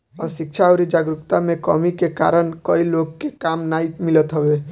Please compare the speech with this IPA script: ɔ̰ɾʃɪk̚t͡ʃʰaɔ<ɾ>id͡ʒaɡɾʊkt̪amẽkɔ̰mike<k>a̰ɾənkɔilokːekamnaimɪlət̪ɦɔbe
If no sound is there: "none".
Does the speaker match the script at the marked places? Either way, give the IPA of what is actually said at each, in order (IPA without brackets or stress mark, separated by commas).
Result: ɾ, k